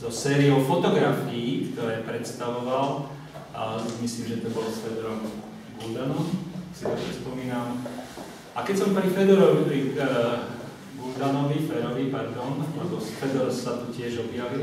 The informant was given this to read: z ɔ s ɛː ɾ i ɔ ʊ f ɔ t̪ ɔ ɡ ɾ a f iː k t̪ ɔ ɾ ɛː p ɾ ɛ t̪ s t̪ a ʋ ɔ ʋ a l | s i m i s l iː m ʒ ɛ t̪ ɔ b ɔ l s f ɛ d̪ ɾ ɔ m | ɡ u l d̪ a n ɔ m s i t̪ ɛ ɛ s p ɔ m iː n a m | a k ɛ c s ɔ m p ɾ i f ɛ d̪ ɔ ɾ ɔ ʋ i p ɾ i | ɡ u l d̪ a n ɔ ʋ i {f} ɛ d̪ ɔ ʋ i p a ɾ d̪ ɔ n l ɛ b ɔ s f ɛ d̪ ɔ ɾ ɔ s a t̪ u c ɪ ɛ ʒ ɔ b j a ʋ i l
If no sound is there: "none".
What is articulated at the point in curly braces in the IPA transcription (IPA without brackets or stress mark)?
f